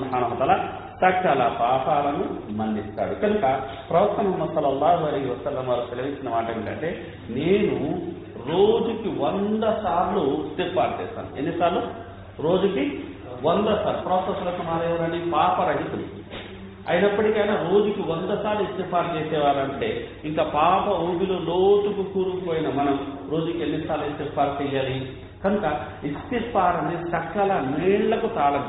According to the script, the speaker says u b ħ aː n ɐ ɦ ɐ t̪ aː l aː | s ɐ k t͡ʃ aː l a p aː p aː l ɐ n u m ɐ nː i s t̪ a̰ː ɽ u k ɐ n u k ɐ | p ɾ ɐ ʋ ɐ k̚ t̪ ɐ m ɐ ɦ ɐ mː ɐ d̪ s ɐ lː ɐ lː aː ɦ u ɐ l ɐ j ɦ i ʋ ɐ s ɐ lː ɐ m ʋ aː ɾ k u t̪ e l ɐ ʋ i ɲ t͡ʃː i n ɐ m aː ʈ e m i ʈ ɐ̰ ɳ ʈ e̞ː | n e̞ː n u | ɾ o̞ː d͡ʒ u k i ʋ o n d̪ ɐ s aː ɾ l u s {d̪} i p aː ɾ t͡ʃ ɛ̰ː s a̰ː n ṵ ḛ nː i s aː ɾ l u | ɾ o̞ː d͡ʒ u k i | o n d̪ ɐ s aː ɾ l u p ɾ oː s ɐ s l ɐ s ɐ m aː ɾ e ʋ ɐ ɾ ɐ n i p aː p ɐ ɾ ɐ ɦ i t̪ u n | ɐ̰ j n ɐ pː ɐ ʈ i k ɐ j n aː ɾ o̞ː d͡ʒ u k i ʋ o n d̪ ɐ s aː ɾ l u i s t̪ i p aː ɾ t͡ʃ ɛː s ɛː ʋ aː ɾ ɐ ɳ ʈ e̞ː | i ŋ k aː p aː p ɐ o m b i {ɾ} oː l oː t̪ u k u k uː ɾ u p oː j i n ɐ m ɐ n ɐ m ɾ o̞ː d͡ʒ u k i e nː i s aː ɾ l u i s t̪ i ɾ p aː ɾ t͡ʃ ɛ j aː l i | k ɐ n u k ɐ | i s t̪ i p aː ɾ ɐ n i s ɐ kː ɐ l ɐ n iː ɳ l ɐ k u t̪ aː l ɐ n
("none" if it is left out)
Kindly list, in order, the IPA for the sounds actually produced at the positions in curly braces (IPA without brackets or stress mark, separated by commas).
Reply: t̪, l